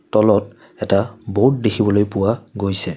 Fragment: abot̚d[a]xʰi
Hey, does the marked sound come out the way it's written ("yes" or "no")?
no